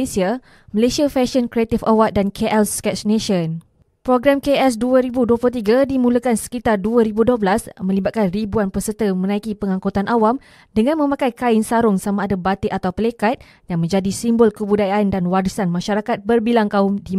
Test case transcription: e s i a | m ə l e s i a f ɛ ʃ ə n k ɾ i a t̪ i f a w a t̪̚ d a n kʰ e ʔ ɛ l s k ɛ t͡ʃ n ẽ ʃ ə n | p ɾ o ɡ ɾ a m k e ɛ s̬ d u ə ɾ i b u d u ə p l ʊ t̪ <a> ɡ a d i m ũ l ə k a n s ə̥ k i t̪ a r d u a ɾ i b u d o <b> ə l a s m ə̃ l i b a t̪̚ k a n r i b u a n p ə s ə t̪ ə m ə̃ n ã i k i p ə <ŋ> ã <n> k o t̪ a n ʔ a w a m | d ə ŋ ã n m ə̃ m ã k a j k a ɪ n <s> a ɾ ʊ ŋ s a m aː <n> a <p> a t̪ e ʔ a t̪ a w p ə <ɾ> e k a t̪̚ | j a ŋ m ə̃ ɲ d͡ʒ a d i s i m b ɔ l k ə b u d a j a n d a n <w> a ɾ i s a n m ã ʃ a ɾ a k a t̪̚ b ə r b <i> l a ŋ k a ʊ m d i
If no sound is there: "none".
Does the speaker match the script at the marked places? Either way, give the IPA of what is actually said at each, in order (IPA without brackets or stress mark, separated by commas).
i, b, ŋ, ŋ, s, d, b, l, w, i